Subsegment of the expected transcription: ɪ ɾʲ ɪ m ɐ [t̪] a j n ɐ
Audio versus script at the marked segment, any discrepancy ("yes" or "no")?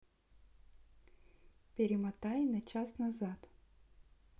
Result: no